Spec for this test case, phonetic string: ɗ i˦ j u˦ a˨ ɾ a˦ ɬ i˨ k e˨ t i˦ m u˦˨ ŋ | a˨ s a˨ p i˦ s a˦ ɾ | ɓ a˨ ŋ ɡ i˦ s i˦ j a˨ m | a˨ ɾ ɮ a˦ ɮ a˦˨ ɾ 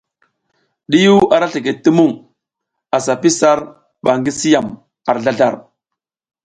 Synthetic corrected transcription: ɗ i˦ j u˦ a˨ ɾ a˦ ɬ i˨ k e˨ t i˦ m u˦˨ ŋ | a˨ s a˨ p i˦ s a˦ ɾ | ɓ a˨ ŋ ɡ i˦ s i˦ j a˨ m | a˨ ɾ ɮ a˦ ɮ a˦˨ ɾ